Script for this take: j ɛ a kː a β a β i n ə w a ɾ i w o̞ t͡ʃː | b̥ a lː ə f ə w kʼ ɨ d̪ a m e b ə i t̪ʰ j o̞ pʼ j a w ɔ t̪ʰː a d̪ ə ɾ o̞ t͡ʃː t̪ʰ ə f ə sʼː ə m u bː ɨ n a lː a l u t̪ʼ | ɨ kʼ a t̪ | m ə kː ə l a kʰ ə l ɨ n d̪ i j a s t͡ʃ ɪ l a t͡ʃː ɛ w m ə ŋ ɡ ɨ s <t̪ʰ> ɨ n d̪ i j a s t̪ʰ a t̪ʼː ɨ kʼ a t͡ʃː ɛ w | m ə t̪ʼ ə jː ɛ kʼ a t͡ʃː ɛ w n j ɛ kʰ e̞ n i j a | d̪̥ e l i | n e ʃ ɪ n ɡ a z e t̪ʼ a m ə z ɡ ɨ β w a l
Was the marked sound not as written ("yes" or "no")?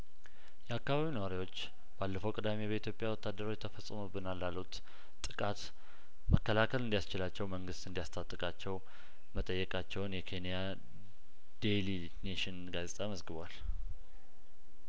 yes